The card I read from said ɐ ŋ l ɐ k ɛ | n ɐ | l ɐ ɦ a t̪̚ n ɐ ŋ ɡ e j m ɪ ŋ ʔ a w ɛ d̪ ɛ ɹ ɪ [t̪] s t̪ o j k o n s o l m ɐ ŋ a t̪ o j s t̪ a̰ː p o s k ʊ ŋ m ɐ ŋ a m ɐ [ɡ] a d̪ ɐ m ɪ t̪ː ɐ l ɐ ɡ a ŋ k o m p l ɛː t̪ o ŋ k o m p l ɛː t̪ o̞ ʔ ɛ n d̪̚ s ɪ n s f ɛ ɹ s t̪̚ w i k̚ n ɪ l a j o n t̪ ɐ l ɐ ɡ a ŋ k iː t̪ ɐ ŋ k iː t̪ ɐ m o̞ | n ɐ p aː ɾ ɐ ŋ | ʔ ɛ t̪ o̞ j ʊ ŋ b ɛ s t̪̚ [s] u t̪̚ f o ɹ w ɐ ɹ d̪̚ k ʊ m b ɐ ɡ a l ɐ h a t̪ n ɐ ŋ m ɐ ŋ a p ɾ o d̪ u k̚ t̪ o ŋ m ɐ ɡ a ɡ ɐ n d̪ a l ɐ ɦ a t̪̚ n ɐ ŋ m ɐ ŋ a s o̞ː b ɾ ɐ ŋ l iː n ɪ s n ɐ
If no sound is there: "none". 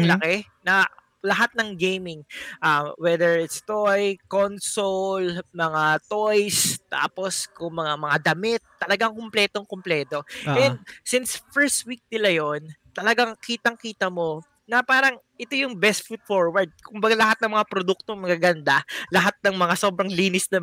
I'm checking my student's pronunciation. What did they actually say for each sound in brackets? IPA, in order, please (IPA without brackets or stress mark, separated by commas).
t̪, ŋ, f